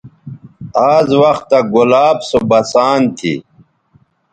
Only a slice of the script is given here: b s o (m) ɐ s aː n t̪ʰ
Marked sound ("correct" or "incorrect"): incorrect